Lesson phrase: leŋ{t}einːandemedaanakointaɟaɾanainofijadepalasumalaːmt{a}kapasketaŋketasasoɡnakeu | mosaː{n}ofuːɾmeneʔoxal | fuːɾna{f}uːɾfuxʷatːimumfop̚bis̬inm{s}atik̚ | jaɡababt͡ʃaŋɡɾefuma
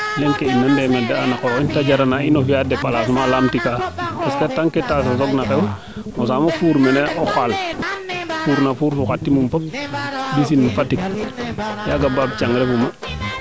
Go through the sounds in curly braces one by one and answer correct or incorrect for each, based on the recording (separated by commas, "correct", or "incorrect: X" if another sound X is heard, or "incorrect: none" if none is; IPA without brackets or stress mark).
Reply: incorrect: k, incorrect: i, incorrect: m, correct, incorrect: f